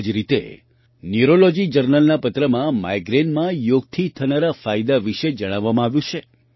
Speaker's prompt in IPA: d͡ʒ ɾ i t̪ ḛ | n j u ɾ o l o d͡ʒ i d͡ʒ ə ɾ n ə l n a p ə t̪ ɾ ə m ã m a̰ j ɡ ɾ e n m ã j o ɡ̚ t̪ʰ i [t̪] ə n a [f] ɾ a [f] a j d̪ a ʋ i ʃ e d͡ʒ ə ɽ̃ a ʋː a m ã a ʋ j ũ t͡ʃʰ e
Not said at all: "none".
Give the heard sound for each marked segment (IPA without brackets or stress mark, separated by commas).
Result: t̪ʰ, none, f